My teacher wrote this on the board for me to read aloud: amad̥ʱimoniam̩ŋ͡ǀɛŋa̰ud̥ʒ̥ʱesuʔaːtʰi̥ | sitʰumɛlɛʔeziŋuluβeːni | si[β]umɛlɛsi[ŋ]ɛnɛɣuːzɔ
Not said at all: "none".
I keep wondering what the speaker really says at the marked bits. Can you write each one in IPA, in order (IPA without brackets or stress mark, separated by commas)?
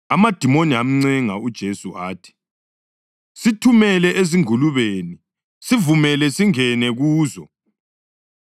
v, ŋ